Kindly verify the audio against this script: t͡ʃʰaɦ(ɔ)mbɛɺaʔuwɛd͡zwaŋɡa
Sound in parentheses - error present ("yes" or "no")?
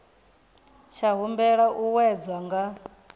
yes